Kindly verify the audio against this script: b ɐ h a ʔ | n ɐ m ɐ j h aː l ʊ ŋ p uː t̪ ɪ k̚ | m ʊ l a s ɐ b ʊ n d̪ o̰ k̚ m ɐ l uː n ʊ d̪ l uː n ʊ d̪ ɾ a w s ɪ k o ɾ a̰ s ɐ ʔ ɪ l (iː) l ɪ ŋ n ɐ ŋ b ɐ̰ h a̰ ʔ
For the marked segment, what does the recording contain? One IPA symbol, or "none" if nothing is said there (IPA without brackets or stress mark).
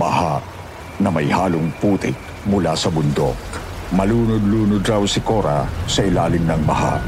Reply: aː